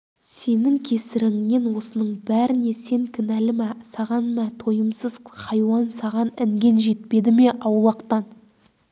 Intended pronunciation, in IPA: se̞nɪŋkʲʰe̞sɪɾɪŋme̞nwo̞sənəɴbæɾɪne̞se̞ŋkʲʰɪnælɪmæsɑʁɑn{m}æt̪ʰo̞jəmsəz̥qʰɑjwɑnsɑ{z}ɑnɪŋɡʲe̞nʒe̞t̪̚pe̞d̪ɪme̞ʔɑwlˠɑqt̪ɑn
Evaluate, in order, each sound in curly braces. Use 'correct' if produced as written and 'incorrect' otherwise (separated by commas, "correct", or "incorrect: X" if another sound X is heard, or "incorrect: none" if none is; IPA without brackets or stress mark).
correct, incorrect: ʁ